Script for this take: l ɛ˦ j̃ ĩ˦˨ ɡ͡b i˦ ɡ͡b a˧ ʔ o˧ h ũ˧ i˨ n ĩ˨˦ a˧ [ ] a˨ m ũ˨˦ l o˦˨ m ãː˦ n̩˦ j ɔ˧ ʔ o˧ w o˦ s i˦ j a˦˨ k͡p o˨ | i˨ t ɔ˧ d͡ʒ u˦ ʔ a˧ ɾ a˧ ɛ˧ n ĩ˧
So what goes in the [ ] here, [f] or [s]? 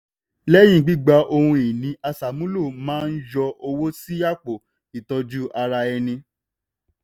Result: s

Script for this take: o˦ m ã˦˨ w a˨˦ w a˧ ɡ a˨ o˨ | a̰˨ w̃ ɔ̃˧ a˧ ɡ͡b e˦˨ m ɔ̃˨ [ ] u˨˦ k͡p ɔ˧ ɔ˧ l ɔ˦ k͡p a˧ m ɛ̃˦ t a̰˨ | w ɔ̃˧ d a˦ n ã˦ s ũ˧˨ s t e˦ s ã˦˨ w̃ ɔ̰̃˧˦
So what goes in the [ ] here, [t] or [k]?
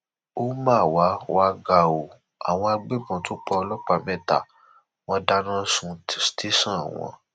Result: t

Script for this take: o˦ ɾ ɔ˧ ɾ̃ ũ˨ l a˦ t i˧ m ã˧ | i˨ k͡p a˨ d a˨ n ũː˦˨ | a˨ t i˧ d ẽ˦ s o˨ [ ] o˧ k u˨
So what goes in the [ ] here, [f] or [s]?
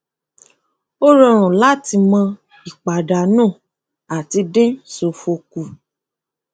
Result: f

